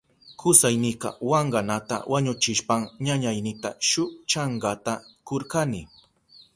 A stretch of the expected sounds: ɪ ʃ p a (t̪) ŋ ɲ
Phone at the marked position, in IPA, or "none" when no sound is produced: none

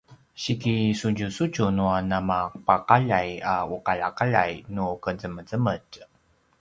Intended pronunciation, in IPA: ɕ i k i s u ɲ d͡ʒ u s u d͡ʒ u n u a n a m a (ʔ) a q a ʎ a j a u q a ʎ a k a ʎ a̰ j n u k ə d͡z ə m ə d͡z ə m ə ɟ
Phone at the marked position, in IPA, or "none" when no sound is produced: p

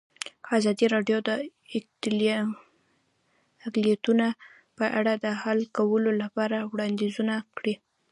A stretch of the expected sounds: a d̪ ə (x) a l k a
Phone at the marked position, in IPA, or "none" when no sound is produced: h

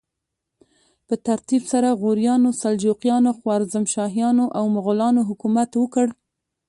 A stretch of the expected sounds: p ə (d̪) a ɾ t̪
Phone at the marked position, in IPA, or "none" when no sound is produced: t̪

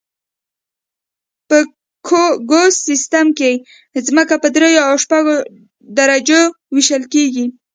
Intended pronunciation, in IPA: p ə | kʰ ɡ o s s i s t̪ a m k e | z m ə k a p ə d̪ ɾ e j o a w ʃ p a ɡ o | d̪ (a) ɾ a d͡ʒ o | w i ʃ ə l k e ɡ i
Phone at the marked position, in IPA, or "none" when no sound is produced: a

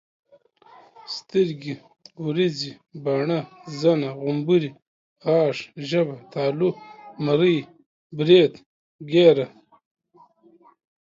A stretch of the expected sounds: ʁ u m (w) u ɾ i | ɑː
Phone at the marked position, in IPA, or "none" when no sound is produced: b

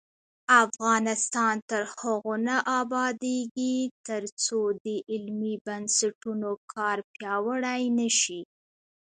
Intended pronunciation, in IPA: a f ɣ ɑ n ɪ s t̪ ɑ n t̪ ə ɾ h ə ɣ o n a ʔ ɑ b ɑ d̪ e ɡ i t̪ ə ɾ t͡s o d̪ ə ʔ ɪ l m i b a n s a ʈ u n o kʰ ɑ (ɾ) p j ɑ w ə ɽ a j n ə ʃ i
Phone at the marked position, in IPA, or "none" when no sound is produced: ɾ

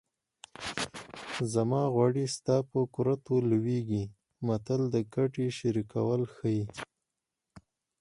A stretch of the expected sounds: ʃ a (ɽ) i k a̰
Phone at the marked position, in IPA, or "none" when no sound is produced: ɾ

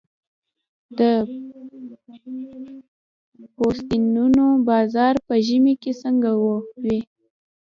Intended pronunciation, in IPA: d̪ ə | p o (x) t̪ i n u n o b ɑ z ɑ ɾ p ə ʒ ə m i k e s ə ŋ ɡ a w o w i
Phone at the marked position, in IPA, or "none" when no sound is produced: s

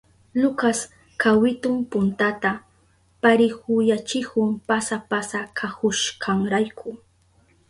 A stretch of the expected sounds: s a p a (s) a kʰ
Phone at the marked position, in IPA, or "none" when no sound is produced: s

